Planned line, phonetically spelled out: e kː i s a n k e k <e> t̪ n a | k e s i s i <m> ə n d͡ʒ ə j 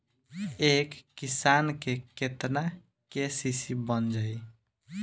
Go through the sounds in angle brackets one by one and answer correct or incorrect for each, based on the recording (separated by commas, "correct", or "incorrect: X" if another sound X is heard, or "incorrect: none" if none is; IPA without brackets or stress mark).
correct, incorrect: b